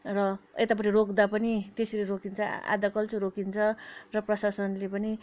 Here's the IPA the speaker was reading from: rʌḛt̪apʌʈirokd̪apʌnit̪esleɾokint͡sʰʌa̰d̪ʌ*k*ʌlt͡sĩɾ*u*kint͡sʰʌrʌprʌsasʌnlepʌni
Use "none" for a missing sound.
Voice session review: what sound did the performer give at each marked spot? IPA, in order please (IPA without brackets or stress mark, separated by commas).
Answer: k, o